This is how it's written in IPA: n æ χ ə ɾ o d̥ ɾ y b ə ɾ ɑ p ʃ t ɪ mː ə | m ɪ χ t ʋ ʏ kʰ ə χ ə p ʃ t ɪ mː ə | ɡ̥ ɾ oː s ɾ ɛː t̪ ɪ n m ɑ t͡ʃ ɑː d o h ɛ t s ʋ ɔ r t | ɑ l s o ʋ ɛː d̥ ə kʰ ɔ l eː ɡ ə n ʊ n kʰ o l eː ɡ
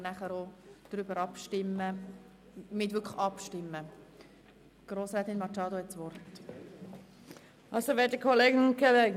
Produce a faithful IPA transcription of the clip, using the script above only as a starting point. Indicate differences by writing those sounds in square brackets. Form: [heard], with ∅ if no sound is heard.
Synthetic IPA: n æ χ ə ɾ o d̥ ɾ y b ə ɾ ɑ p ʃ t ɪ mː ə | m ɪ [∅] t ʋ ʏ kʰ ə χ [ɑ] p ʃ t ɪ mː ə | ɡ̥ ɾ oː s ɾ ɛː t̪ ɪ n m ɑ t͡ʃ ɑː d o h ɛ t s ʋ ɔ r t | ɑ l s o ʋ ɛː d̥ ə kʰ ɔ l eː ɡ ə n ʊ n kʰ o l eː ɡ